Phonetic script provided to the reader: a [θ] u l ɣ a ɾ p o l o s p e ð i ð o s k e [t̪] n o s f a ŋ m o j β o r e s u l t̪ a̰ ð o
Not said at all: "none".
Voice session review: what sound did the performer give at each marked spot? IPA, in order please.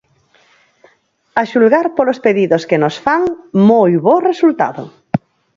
ʃ, none

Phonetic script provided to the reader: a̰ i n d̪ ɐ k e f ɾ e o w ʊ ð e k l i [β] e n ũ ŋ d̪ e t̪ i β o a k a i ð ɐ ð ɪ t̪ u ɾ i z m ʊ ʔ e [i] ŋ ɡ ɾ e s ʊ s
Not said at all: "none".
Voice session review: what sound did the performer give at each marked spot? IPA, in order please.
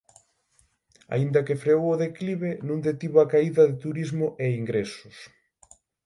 β, i

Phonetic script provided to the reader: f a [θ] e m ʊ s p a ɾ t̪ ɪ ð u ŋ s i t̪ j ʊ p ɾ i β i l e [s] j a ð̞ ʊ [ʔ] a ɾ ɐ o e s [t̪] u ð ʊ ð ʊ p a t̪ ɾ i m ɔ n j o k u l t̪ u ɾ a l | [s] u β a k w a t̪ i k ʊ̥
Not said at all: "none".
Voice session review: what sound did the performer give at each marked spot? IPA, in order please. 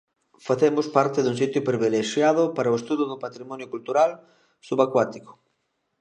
θ, ʃ, p, t̪, s

